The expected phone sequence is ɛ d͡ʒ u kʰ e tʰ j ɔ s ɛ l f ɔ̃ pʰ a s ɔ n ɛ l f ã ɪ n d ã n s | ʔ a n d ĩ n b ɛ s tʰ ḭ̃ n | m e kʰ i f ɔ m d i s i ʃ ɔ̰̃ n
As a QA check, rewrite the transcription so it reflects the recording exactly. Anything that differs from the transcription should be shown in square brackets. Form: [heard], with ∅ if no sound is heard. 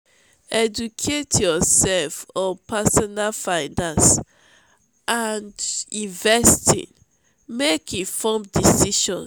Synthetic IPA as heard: ɛ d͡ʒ u kʰ e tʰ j ɔ s ɛ l f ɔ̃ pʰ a s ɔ n [a] l f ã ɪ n d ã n s | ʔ a n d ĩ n [v] ɛ s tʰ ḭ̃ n | m e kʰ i f ɔ m d i s i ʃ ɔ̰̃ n

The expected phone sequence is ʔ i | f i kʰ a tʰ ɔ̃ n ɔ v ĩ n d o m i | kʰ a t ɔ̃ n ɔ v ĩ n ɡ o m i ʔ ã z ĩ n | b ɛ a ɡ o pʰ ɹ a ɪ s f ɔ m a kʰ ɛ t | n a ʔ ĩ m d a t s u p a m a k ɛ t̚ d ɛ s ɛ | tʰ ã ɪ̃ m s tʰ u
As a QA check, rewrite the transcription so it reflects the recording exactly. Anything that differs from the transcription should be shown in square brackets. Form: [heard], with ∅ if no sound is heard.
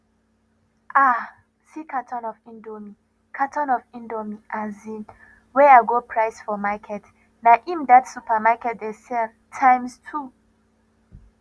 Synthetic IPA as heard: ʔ [a] | [s] i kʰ a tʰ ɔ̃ n ɔ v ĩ n d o m i | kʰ a t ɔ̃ n ɔ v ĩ n [d] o m i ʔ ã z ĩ n | [w] ɛ a ɡ o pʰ ɹ a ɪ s f ɔ m a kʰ ɛ t | n a ʔ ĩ m d a t s u p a m a k ɛ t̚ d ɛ s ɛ | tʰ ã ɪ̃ m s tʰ u

